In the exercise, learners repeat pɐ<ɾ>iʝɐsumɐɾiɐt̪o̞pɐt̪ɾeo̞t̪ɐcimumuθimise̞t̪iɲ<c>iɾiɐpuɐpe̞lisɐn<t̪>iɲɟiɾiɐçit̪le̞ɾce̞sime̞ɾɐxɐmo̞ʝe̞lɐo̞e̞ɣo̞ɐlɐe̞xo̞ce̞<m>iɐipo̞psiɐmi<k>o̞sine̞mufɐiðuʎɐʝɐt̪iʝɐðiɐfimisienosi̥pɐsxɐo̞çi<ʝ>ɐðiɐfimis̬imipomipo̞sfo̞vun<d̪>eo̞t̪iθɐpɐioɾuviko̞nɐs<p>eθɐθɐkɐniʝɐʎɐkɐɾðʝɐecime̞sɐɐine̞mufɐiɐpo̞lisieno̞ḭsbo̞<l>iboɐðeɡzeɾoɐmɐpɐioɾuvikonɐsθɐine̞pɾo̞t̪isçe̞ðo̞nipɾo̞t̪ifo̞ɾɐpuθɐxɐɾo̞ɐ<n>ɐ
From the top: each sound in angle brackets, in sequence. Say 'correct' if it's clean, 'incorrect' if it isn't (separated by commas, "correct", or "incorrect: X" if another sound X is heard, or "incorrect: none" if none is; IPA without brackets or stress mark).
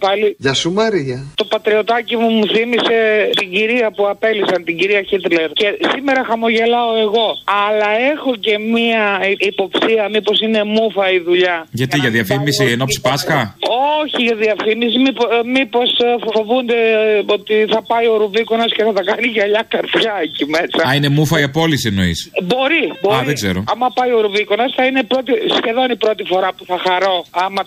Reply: incorrect: l, incorrect: ɟ, correct, correct, incorrect: p, correct, correct, incorrect: c, incorrect: ɾ, incorrect: m